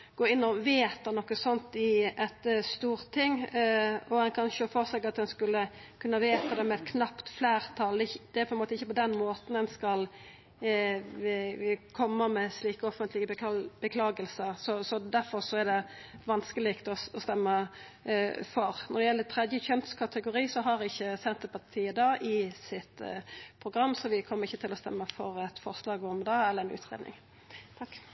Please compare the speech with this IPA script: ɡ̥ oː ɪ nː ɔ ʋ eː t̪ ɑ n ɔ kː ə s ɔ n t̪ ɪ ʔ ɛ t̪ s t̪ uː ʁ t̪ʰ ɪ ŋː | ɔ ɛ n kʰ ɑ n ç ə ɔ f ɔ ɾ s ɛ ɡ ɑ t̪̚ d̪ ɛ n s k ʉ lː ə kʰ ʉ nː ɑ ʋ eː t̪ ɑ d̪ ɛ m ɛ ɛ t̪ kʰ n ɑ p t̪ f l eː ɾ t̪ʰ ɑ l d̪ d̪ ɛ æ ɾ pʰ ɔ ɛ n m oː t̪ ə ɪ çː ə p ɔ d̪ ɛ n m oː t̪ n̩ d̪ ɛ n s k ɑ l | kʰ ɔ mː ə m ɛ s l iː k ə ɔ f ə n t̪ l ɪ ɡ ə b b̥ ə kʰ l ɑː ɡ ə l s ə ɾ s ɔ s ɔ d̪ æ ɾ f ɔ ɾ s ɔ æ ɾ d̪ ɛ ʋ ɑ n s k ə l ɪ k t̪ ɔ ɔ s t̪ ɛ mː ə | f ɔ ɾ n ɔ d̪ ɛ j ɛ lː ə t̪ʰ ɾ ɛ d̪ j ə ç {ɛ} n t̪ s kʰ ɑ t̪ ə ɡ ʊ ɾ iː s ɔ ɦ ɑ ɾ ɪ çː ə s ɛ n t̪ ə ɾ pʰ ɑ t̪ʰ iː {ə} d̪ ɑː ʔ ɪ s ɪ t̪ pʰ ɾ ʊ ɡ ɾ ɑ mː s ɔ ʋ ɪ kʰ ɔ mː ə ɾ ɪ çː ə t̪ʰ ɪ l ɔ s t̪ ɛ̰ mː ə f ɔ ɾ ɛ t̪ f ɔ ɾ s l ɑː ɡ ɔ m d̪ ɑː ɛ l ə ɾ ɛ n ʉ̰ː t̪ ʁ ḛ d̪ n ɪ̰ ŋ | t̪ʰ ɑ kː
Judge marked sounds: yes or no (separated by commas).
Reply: no, yes